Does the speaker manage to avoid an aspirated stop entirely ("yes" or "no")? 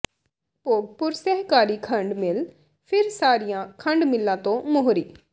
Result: no